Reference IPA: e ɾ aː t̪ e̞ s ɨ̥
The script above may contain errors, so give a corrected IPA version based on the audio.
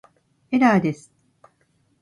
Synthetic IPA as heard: e ɾ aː d̪ e̞ s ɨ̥